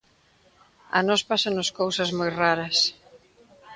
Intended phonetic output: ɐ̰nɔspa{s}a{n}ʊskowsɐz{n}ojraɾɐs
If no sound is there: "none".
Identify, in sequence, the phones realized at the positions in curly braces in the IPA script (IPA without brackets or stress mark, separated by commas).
s, n, m